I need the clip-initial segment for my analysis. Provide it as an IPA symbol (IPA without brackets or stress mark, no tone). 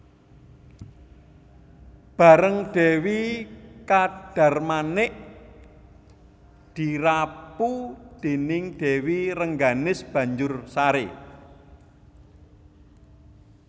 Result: b̥